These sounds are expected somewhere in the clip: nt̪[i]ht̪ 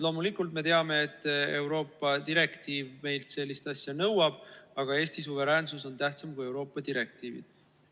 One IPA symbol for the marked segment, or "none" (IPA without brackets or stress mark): æ